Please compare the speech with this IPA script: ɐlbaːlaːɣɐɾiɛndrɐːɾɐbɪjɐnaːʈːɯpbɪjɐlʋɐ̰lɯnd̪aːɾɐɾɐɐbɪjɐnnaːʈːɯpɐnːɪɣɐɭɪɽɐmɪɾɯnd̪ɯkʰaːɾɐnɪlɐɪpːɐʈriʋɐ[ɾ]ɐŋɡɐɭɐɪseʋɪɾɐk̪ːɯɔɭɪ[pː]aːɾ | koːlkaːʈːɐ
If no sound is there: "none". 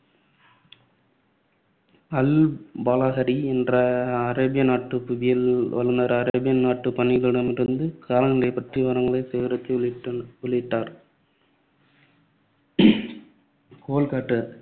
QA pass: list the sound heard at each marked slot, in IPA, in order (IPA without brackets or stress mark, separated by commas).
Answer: ɾ, ʈː